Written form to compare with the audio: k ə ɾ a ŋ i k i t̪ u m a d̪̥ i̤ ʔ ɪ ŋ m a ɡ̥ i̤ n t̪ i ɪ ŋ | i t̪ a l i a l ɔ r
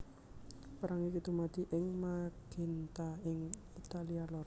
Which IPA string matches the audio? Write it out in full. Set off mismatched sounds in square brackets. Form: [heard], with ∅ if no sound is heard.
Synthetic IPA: [p] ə ɾ a ŋ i k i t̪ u m a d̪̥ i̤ ʔ ɪ ŋ m a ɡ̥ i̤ n t̪ [a] ɪ ŋ | i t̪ a l i a l ɔ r